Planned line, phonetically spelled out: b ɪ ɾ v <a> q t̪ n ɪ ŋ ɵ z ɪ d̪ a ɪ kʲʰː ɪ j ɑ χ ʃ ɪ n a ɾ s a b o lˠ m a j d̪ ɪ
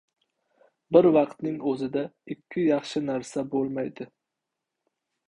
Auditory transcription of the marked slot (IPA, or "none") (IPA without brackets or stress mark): ɑ